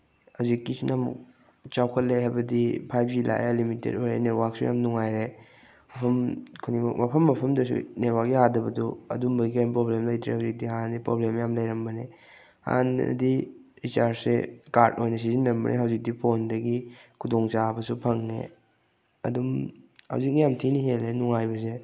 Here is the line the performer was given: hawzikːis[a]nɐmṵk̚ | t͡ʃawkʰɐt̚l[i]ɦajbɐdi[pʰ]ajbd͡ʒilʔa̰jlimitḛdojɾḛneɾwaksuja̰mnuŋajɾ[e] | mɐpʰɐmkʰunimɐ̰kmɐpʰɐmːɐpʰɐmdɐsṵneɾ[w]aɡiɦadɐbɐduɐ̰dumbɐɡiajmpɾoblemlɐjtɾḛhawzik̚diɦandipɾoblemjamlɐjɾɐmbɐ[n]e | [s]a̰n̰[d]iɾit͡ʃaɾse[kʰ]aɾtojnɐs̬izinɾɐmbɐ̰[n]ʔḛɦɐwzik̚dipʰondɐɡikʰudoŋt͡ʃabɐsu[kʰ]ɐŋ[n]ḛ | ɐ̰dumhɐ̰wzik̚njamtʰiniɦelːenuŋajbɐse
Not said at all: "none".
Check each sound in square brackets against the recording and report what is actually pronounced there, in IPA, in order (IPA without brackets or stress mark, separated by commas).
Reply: i, e, pʰ, e, w, n, h, d, k, n, pʰ, n